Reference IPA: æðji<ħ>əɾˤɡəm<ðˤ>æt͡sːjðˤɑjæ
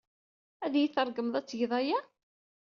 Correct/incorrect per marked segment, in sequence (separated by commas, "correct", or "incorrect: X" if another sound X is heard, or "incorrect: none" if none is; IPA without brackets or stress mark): incorrect: θ, correct